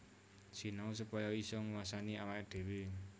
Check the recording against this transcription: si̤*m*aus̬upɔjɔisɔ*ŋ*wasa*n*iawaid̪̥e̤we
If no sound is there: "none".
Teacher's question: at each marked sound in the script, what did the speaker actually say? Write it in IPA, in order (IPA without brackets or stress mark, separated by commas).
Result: n, ŋ, n